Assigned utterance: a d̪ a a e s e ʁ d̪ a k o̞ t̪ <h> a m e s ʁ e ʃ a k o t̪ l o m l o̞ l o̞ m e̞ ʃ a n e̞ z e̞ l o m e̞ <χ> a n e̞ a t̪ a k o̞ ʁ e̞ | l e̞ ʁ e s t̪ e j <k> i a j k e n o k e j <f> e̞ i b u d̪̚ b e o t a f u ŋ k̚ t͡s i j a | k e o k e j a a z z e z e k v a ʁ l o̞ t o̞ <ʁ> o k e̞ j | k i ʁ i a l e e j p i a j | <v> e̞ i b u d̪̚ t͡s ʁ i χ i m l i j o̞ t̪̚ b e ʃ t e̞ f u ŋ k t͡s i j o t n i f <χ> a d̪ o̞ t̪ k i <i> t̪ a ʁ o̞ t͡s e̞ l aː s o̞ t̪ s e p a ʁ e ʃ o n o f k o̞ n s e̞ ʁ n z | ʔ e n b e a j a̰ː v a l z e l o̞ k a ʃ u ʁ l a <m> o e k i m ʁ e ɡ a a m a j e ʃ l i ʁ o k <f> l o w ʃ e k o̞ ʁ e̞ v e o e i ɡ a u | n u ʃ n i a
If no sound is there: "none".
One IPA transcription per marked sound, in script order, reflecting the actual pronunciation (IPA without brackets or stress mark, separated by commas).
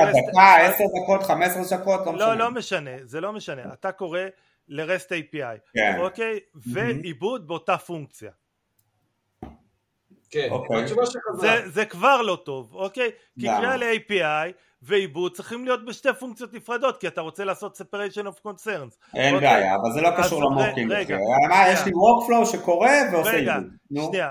χ, ʃ, p, v, v, v, ʁ, a, m, f